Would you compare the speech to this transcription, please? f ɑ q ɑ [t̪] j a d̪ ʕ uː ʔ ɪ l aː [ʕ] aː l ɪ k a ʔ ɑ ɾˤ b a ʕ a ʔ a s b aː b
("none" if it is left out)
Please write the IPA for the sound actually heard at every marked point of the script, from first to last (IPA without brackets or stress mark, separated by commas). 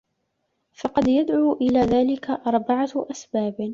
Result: d̪, ð